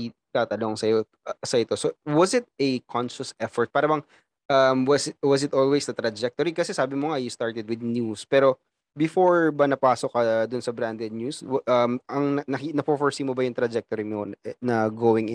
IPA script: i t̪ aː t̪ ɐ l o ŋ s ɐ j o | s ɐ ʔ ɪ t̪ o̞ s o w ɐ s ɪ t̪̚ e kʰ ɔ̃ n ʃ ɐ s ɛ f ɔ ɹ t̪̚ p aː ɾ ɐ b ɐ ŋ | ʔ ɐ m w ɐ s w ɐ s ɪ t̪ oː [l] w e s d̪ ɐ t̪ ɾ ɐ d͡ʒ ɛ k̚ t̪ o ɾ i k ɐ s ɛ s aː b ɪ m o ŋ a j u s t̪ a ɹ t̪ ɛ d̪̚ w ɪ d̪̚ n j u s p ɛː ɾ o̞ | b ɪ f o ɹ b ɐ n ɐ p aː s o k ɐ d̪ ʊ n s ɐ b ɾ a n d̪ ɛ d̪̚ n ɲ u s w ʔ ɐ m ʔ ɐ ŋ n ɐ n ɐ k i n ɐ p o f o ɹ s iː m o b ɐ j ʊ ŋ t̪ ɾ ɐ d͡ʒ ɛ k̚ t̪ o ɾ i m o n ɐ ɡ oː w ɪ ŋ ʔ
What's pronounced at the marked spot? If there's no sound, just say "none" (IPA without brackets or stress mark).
l